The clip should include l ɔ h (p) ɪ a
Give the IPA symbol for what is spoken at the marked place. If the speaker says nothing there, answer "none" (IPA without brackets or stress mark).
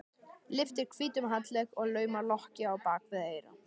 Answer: c